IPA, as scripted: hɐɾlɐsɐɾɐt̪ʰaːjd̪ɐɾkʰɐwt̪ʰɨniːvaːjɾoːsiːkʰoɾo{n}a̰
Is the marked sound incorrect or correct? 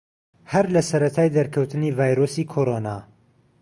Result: correct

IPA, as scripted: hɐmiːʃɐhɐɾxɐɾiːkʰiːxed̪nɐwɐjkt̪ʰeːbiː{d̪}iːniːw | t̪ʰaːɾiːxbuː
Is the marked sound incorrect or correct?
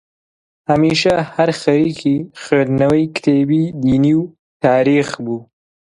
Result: correct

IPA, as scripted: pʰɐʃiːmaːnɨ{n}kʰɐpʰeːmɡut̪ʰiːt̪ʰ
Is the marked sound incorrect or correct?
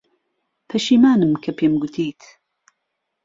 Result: incorrect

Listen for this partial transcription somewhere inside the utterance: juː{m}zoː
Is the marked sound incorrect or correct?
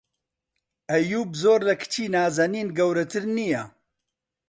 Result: incorrect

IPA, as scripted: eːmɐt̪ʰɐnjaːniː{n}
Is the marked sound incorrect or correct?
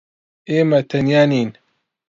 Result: correct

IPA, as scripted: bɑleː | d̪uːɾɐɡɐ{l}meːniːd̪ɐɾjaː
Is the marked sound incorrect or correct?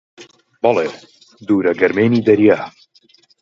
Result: incorrect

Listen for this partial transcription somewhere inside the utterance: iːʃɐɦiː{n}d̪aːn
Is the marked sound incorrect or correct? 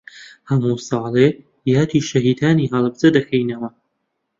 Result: incorrect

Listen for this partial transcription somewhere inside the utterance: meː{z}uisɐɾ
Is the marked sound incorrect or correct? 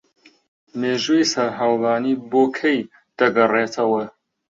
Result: incorrect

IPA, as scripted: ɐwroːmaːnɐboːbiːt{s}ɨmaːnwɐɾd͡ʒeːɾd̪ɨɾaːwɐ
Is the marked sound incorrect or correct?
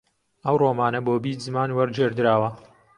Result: incorrect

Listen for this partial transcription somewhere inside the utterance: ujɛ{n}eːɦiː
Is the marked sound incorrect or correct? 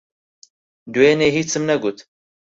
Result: correct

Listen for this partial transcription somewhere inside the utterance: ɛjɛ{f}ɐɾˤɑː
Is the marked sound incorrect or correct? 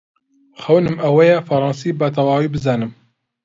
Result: correct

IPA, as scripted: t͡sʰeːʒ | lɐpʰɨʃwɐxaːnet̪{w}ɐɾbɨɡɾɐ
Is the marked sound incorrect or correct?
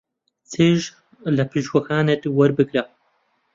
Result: correct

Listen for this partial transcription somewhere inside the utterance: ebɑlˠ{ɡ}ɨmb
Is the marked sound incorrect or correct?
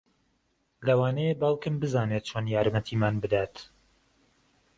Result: incorrect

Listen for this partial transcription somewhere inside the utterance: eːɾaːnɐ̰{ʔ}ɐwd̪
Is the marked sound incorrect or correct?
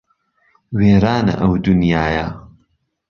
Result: correct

